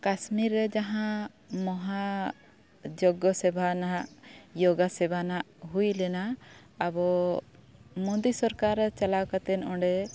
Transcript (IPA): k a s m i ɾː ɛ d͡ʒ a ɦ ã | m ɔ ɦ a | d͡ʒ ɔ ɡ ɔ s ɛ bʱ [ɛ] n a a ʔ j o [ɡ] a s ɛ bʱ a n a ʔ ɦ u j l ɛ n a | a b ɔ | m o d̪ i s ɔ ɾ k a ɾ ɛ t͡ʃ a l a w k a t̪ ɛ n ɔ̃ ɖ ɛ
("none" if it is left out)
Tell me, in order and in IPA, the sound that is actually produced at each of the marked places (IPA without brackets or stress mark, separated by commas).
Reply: a, ɡ